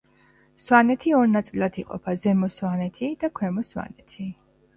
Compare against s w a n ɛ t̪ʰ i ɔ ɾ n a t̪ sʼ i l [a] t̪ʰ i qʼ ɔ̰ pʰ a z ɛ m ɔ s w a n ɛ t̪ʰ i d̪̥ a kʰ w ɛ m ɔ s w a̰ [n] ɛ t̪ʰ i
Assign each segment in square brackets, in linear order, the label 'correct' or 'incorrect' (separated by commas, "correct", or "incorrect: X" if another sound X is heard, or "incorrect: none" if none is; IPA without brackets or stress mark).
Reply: correct, correct